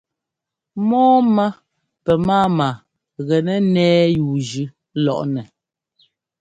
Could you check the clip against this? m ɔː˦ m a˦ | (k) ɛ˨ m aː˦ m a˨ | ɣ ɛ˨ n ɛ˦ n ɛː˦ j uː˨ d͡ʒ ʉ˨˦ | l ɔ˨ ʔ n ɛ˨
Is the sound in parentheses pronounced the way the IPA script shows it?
no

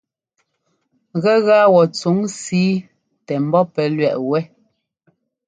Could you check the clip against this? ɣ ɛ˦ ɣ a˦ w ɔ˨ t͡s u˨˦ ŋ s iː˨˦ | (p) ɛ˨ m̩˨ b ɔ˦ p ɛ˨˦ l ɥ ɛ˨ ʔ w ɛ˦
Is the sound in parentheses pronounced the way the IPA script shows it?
no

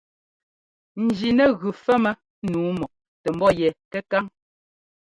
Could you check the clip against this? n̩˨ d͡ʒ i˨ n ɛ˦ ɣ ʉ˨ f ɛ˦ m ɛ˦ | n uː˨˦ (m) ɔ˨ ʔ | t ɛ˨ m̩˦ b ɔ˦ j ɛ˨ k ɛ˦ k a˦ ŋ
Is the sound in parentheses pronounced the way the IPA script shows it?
yes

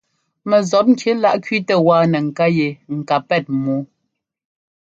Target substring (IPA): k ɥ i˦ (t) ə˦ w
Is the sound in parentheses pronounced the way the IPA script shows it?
yes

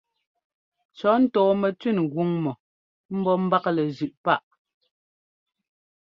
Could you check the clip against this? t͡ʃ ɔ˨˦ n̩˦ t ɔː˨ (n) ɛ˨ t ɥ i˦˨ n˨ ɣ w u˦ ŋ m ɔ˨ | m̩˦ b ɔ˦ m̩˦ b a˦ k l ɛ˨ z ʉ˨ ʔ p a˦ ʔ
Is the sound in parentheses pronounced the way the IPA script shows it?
no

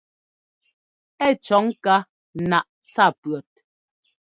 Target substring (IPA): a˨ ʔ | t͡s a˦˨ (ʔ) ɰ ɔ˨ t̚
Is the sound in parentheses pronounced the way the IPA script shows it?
no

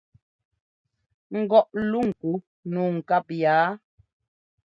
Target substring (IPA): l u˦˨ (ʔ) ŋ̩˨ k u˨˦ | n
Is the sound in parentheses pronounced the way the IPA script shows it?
no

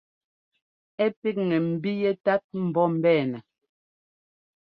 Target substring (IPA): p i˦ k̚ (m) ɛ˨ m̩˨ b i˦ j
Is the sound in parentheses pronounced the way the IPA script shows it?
no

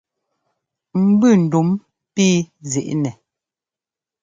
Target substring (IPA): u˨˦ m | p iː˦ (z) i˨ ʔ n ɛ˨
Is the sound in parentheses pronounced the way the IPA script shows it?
yes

